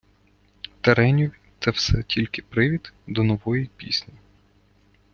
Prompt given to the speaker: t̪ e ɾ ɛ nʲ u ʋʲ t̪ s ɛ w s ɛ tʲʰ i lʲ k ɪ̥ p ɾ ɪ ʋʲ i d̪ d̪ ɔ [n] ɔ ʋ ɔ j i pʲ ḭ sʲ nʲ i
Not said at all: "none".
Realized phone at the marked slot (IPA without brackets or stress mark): n